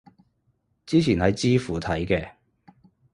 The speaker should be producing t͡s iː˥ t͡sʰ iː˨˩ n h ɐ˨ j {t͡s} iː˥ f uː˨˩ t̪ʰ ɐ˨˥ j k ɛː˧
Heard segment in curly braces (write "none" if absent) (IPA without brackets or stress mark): t͡s